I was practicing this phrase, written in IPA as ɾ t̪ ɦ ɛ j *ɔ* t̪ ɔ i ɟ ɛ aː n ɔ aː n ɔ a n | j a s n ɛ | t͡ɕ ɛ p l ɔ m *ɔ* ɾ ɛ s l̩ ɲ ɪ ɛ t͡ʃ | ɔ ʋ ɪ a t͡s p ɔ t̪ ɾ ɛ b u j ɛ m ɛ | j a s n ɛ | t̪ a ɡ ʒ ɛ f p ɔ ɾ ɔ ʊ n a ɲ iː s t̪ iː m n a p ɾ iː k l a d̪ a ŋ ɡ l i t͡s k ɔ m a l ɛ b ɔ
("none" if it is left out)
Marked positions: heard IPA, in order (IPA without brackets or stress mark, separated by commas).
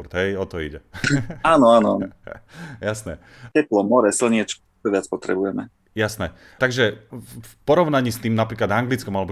ɔ, ɔ